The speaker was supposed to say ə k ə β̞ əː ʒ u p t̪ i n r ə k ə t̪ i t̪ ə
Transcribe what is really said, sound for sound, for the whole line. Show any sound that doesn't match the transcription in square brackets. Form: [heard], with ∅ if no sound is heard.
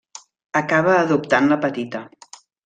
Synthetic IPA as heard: ə k [a] β̞ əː [ð] u p t̪ [a] n [l] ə [p] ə t̪ i t̪ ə

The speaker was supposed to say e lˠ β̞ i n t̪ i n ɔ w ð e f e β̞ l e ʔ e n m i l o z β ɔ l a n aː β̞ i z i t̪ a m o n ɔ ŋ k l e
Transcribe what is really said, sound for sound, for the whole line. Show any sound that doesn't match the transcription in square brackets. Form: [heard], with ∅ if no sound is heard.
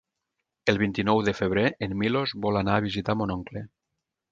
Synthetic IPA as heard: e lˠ β̞ i n t̪ i n ɔ w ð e f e β̞ [ɾ] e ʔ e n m i l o z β ɔ l a n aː β̞ i z i t̪ a m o n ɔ ŋ k l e

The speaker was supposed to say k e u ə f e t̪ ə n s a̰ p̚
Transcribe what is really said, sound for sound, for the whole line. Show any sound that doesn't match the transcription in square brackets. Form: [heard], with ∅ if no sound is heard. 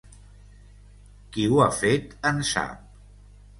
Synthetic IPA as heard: k [i] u [a] f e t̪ ə n s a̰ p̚

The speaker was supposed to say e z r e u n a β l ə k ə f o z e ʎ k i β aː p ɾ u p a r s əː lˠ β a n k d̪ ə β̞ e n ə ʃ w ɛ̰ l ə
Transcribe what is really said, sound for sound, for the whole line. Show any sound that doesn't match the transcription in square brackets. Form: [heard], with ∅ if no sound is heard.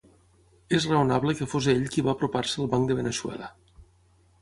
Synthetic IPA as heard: e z r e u n a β l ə k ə f o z e ʎ k i β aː p ɾ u p a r s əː lˠ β a [ŋ] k d̪ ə β̞ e n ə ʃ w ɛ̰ l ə

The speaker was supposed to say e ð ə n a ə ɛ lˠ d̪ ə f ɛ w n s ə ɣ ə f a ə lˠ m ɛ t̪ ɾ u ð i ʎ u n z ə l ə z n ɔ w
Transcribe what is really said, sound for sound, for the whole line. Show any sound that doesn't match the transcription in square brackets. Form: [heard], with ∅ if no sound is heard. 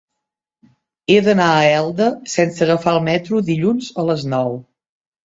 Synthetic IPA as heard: e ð ə n a ə ɛ lˠ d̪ ə [s] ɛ [∅] n s ə ɣ ə f a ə lˠ m ɛ t̪ ɾ u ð i ʎ u n z ə l ə z n ɔ w

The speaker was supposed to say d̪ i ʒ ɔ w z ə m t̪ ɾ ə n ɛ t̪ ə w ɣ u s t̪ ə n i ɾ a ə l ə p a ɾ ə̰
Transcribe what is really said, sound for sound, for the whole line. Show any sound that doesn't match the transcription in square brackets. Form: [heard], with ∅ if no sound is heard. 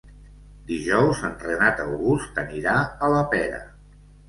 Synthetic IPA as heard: d̪ i ʒ ɔ w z ə [n] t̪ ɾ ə n [a] t̪ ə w ɣ u s t̪ ə n i ɾ a ə l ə p [ɛ] ɾ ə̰

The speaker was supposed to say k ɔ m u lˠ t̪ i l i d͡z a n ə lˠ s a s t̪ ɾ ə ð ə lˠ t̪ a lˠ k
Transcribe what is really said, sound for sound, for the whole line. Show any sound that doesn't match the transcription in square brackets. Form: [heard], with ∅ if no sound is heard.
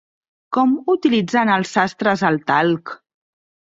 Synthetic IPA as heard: k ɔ m u [∅] t̪ i l i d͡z a n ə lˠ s a s t̪ ɾ ə [z] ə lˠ t̪ a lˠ k

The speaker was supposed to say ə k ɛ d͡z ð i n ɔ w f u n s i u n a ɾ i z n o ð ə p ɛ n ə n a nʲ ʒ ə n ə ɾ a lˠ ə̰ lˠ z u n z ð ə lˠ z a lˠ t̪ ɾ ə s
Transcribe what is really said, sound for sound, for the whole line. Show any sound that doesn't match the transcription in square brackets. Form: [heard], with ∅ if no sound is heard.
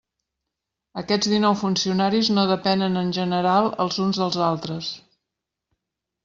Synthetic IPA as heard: ə k ɛ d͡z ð i n ɔ w f u n s i u n a ɾ i z n o ð ə p ɛ n ə n [ə] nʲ ʒ ə n ə ɾ a lˠ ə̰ lˠ z u n z ð ə lˠ z a lˠ t̪ ɾ ə s

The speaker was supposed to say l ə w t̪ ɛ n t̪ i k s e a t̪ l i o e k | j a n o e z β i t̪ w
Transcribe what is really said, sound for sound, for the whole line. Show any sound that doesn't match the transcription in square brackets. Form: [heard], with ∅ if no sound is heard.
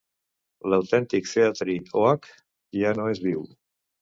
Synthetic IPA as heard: l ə w t̪ ɛ n t̪ i k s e a t̪ [ɾ] i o [a] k | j a n o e z β i [∅] w

